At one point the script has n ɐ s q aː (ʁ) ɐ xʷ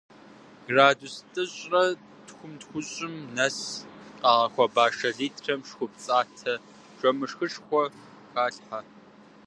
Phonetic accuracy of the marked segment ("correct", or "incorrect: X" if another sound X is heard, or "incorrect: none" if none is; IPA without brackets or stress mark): correct